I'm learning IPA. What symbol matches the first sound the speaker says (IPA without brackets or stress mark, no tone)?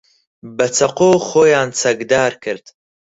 b